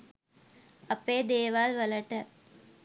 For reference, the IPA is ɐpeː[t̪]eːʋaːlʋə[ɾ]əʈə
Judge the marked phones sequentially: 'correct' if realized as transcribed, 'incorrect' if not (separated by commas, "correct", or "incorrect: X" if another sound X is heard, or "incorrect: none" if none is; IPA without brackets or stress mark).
incorrect: d̪, incorrect: l